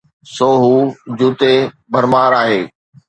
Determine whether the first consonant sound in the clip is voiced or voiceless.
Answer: voiceless